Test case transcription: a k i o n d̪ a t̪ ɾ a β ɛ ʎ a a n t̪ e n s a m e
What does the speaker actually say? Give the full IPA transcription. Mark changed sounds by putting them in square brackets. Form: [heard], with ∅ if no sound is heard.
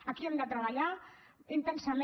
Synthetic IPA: a k i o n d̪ a t̪ ɾ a β [a] ʎ a [i] n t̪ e n s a m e

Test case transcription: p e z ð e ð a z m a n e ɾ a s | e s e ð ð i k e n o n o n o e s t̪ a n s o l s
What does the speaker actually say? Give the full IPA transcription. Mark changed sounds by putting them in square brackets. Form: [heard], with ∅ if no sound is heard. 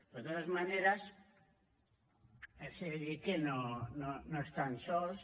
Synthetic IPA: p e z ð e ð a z m a n e ɾ a s | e s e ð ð i k e n o n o n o e s t̪ a n s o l s

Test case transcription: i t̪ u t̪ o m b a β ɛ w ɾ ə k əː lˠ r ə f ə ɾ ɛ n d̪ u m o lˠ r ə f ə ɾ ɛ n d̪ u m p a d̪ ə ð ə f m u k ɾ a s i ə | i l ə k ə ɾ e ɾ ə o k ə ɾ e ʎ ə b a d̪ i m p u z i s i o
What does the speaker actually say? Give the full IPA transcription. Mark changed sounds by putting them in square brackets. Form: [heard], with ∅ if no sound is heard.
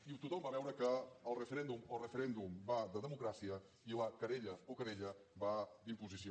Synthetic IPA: i t̪ u t̪ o m b a β ɛ w ɾ ə k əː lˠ r ə f ə ɾ ɛ n d̪ u m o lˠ r ə f ə ɾ ɛ n d̪ u m [b] a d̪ ə ð ə [∅] m u k ɾ a s i ə | i l ə k ə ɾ e [ʎ] ə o k ə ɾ e ʎ ə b a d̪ i m p u z i s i o

